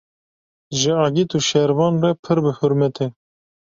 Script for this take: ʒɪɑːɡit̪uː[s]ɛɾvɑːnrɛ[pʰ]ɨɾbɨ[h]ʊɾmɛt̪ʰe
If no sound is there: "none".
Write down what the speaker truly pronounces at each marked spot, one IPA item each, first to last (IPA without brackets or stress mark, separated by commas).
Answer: ʃ, pʰ, h